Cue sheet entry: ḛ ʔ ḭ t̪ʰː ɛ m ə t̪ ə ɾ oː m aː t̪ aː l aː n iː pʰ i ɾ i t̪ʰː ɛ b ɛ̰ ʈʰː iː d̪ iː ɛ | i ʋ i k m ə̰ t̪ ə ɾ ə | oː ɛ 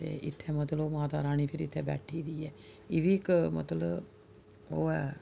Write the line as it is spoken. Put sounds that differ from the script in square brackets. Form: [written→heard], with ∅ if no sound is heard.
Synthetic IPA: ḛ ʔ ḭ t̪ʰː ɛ m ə t̪ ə [ɾ→l] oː m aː t̪ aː [l→ɾ] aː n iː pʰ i ɾ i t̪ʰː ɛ b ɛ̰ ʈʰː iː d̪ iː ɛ | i ʋ i k m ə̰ t̪ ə [ɾ→l] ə | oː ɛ